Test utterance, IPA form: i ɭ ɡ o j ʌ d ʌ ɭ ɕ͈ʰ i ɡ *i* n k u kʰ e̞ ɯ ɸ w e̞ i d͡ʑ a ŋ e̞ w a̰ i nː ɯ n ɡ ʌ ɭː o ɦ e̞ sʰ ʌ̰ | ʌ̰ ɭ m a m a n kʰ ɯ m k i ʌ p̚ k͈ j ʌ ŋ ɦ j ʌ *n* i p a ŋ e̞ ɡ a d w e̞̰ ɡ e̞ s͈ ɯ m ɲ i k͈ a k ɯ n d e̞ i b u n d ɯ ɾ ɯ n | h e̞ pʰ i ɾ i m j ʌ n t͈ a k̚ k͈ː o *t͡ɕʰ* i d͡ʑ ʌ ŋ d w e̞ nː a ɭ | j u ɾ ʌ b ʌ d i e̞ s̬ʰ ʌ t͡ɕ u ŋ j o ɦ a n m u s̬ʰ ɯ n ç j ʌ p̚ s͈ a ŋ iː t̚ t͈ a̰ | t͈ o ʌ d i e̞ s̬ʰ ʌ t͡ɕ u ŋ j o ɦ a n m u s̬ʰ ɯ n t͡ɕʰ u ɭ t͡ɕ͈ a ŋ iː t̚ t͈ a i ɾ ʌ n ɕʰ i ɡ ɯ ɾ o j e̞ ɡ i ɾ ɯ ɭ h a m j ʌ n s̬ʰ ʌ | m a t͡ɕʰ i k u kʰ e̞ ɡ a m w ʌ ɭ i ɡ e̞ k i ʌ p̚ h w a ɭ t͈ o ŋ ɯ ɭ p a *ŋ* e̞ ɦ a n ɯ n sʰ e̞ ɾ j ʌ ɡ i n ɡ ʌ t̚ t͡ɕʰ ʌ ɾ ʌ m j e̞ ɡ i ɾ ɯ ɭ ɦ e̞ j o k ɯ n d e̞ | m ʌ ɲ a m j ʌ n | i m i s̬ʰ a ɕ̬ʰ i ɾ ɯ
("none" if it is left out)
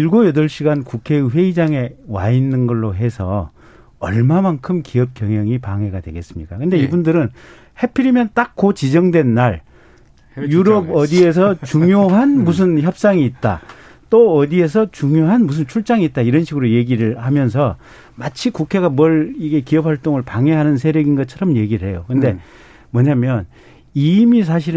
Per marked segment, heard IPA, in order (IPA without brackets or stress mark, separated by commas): a, ŋ, t͡ɕ, ŋ